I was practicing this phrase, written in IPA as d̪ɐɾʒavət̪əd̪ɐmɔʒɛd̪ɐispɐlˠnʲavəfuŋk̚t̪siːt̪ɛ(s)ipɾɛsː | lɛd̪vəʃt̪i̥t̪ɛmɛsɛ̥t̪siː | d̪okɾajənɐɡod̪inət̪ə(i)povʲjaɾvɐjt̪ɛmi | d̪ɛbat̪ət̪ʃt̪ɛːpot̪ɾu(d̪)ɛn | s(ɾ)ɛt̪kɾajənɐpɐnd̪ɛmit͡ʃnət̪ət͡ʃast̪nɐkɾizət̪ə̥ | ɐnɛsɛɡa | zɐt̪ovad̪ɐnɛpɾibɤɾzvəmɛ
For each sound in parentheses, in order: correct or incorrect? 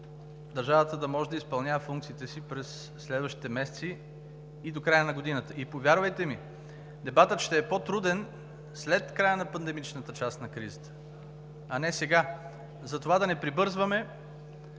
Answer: correct, correct, correct, incorrect

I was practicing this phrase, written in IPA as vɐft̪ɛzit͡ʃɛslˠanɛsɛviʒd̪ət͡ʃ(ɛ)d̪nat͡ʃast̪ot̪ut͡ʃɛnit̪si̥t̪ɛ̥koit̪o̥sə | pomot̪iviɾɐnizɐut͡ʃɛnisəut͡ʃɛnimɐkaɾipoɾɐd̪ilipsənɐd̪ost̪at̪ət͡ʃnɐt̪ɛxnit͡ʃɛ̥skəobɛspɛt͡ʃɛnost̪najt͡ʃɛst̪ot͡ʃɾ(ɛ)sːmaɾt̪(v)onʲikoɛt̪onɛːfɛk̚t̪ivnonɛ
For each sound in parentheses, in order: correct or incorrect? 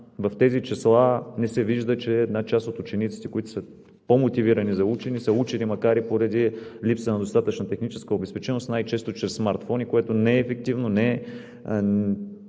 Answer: incorrect, correct, incorrect

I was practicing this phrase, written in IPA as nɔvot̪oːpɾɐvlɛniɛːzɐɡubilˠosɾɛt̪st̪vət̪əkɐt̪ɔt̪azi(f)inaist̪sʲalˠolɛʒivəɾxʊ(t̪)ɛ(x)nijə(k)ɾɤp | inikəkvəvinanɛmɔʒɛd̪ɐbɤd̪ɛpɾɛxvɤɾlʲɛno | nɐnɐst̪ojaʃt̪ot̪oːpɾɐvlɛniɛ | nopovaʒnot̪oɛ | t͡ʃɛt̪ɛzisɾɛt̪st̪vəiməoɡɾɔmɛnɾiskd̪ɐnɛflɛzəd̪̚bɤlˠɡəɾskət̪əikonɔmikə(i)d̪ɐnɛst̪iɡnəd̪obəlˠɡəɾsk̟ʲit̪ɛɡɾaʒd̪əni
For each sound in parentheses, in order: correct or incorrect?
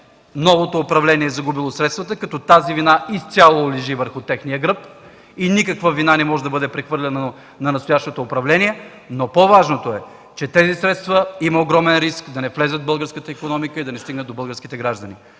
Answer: incorrect, correct, correct, incorrect, correct

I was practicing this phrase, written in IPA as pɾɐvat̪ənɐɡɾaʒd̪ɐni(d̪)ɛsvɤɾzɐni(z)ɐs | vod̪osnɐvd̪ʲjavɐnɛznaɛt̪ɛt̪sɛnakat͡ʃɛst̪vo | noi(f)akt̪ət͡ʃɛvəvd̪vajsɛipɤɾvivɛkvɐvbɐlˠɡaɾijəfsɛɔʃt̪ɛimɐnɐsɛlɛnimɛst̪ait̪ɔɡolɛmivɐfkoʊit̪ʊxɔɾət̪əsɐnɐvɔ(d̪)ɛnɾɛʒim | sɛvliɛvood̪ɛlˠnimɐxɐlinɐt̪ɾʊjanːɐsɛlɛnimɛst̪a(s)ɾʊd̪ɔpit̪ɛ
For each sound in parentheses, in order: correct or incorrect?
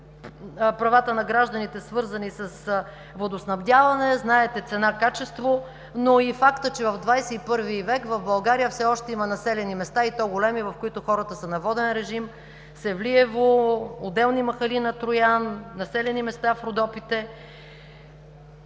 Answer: incorrect, incorrect, correct, correct, incorrect

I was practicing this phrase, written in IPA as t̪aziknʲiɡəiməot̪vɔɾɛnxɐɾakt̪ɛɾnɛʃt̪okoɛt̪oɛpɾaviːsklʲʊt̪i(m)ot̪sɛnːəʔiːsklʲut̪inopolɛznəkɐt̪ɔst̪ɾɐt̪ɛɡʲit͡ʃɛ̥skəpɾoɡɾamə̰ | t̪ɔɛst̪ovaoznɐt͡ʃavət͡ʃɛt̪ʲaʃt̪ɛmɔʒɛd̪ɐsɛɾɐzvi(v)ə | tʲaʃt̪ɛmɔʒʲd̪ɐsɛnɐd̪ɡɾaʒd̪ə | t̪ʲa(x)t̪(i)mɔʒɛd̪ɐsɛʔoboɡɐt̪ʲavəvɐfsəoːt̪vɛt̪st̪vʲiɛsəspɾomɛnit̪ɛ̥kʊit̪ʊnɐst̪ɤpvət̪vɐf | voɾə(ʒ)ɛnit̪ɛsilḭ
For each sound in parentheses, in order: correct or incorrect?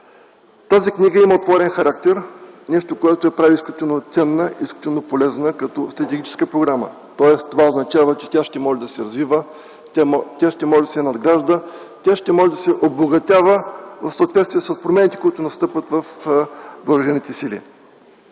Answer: incorrect, correct, incorrect, incorrect, correct

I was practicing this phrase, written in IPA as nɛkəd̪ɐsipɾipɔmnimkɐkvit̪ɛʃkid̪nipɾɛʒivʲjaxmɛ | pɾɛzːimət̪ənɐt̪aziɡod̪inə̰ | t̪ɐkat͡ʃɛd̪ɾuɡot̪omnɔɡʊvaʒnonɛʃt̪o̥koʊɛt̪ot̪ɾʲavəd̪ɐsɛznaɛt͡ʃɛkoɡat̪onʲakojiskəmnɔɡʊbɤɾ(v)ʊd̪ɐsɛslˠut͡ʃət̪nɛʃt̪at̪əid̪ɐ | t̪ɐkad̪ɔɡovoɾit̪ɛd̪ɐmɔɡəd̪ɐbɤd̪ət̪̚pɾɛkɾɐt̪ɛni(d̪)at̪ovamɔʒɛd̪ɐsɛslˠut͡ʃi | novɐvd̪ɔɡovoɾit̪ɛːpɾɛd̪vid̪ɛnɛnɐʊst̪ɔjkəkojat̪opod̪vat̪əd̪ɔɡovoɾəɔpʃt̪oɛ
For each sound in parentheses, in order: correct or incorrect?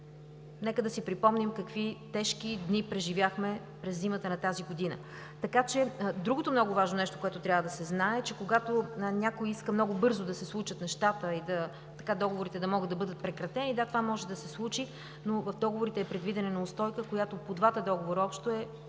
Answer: incorrect, correct

